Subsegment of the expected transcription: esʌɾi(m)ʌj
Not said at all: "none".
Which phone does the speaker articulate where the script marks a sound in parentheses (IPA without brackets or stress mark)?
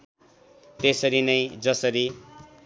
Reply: n